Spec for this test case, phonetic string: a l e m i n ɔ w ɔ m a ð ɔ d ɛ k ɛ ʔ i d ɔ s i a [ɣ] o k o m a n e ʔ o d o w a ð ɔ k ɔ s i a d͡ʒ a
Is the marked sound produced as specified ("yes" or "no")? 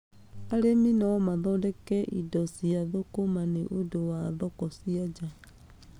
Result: no